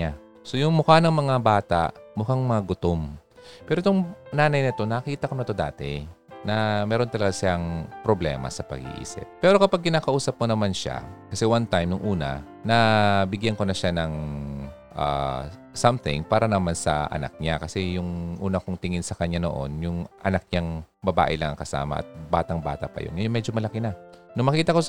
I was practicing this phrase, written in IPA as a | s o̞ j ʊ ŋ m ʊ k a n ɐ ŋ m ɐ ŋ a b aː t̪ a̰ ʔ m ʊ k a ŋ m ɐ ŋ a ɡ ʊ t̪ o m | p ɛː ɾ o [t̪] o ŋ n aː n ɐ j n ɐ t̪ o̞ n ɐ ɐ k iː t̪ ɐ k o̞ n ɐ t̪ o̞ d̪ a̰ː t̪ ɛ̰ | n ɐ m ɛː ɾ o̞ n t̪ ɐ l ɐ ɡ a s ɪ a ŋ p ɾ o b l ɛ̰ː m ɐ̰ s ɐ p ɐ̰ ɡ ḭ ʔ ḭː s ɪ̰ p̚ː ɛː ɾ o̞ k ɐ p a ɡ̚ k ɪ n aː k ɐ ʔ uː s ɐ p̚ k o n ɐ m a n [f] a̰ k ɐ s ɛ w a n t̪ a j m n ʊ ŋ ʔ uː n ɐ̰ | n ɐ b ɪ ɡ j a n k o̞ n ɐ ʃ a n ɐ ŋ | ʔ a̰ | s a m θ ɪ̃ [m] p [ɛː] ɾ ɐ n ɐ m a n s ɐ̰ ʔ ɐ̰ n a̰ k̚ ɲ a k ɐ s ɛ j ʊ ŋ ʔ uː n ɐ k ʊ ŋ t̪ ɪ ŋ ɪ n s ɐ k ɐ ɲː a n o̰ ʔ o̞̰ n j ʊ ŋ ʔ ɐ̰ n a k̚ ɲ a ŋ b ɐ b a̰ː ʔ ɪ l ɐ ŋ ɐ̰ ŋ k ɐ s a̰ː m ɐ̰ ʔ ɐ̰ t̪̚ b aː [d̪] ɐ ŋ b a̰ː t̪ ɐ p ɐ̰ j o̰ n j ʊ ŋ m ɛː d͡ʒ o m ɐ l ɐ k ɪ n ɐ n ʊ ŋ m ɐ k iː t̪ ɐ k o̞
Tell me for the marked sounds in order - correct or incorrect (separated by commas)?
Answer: correct, incorrect, incorrect, incorrect, incorrect